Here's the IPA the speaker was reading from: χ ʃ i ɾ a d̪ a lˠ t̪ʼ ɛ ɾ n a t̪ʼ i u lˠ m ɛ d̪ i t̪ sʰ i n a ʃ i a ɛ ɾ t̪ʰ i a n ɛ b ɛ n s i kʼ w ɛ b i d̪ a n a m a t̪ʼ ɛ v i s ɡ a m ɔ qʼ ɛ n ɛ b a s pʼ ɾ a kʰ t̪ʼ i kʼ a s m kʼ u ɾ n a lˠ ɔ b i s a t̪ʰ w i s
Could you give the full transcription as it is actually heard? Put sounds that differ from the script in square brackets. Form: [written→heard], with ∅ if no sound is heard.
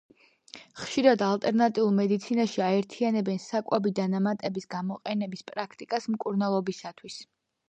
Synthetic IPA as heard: χ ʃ i ɾ a d̪ a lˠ t̪ʼ ɛ ɾ n a t̪ʼ i u lˠ m ɛ d̪ i t̪ sʰ i n a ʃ i a ɛ ɾ t̪ʰ i a n ɛ b ɛ n s [i→a] kʼ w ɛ b i d̪ a n a m a t̪ʼ ɛ [v→b] i s ɡ a m ɔ qʼ ɛ n ɛ b [a→i] s pʼ ɾ a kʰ t̪ʼ i kʼ a s m kʼ u ɾ n a lˠ ɔ b i s a t̪ʰ w i s

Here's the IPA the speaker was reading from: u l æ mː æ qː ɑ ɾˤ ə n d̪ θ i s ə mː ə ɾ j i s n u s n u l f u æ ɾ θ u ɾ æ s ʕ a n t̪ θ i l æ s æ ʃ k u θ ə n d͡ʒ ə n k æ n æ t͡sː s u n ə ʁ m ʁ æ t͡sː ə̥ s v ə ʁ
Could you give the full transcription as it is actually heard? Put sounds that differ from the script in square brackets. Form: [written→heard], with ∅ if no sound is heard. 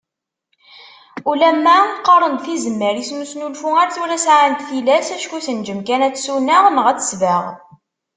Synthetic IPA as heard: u l æ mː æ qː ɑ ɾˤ ə n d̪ θ i [s→z] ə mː ə ɾ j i s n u s n u l f u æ ɾ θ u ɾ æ s ʕ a n t̪ θ i l æ s æ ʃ k u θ ə n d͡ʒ ə [n→m] k æ n æ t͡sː s u n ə ʁ m ʁ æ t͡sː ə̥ s v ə ʁ

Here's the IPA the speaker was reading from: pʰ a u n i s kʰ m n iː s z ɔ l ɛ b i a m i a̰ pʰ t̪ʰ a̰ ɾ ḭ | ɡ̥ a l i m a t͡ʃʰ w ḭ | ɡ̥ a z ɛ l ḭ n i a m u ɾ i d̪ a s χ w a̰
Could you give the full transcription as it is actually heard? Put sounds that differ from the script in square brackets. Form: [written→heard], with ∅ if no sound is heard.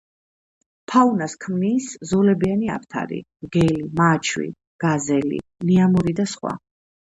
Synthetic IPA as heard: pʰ a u n [i→a] s kʰ m n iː s z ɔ l ɛ b i a [m→n] i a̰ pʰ t̪ʰ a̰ ɾ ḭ | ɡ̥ [a→ɛ] l i m a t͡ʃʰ w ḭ | ɡ̥ a z ɛ l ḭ n i a m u ɾ i d̪ a s χ w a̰

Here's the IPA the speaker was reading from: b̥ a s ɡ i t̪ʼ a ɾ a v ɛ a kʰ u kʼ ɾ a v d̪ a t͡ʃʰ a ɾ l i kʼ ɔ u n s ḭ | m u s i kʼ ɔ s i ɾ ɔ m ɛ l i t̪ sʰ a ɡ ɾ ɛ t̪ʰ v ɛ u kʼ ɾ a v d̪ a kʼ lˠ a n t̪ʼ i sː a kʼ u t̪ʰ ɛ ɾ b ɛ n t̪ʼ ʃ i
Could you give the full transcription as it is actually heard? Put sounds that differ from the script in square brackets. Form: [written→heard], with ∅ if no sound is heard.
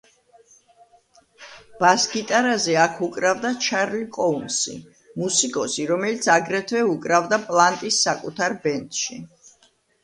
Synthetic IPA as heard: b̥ a s ɡ i t̪ʼ a ɾ a [v→z] ɛ a kʰ u kʼ ɾ a v d̪ a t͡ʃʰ a ɾ l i kʼ ɔ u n s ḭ | m u s i kʼ ɔ s i ɾ ɔ m ɛ l i t̪ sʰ a ɡ ɾ ɛ t̪ʰ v ɛ u kʼ ɾ a v d̪ a [kʼ→pʼ] lˠ a n t̪ʼ i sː a kʼ u t̪ʰ [ɛ→a] ɾ b ɛ n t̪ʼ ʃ i

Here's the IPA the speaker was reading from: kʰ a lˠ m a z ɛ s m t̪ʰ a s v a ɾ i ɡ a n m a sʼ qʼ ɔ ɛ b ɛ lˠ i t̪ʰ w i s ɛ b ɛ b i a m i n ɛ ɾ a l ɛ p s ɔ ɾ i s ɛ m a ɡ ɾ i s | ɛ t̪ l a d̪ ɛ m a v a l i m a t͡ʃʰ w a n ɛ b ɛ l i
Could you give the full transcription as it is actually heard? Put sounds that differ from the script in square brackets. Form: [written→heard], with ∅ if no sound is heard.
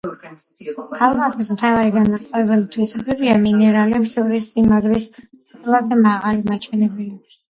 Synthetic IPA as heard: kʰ a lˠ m a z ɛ s m t̪ʰ a [s→∅] v a ɾ i ɡ a n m a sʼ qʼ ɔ ɛ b ɛ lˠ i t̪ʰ w i s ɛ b ɛ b i a m i n ɛ ɾ a l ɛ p s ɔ ɾ i s [ɛ→i] m a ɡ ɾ i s | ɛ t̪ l a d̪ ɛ m a [v→ʁ] a l i m a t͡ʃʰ w [a→ɛ] n ɛ b ɛ l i

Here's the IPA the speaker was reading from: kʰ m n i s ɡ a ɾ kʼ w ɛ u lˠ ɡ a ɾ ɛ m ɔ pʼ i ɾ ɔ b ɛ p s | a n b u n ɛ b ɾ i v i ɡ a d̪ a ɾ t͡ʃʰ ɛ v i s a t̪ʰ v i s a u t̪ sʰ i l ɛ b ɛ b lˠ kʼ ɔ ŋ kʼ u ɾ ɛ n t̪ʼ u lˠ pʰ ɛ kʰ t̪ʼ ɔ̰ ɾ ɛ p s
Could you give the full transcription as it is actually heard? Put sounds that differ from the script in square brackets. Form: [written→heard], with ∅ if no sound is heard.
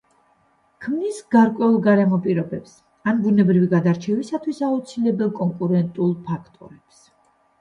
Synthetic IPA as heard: kʰ m n i s ɡ a ɾ kʼ w ɛ u lˠ ɡ a ɾ ɛ m ɔ pʼ i ɾ ɔ b ɛ p s | a n b u n ɛ b ɾ i v i ɡ a d̪ a ɾ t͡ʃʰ ɛ v i s a t̪ʰ [v→w] i s a u t̪ sʰ i l ɛ b ɛ [b→∅] lˠ kʼ ɔ ŋ kʼ u ɾ ɛ n t̪ʼ u lˠ pʰ [ɛ→a] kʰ t̪ʼ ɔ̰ ɾ ɛ p s

